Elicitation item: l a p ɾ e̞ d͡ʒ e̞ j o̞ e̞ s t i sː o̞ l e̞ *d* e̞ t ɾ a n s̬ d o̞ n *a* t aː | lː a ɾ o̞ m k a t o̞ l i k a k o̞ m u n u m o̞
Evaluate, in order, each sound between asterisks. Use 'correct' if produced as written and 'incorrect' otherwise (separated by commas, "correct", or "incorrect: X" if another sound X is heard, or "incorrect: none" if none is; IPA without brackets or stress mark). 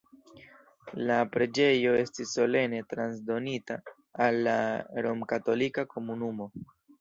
incorrect: n, incorrect: i